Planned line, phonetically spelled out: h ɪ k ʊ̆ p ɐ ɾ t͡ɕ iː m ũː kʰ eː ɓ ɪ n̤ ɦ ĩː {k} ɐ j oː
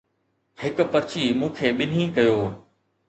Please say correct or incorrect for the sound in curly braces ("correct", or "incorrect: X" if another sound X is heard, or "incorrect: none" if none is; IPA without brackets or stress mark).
correct